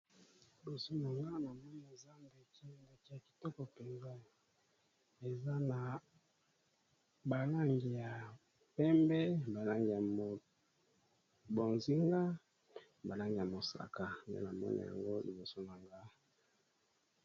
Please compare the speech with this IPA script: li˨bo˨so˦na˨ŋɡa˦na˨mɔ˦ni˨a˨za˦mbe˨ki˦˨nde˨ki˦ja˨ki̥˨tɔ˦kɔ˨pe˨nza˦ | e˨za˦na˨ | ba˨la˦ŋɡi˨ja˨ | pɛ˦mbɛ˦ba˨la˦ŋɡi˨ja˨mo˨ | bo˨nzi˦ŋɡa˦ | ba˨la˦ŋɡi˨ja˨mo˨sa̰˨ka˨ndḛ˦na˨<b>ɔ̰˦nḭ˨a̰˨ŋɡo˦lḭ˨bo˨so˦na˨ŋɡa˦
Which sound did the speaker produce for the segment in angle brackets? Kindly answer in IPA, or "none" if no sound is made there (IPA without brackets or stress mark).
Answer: m